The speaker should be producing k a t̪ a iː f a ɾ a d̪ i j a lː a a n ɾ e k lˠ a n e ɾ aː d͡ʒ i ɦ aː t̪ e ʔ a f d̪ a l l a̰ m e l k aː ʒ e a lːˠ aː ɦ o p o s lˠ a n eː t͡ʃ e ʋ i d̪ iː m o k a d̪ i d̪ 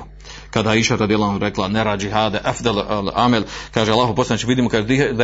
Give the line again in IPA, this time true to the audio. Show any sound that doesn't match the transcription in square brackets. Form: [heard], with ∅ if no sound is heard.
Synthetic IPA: k a [d̪] a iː [ʃ] a ɾ a d̪ i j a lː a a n ɾ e k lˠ a n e ɾ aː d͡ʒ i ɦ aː [d̪] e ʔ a f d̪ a l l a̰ m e l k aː ʒ e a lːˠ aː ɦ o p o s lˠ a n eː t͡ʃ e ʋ i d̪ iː m o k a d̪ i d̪